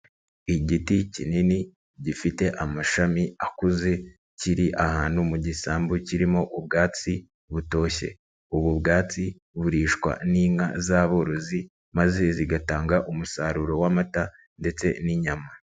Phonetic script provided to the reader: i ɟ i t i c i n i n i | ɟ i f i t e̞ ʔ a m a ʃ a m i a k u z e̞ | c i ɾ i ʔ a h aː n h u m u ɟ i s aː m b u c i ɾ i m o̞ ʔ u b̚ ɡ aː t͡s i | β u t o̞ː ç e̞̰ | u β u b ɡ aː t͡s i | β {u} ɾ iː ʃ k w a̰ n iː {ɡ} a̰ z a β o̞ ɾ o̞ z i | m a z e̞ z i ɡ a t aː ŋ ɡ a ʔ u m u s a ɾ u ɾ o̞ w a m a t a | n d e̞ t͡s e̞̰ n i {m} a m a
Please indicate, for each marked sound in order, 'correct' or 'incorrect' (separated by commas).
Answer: correct, incorrect, incorrect